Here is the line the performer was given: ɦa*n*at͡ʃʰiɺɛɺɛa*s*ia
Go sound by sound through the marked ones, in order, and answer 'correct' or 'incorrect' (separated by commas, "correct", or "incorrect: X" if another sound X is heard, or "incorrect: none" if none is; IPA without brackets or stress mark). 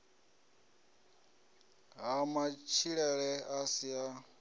incorrect: m, correct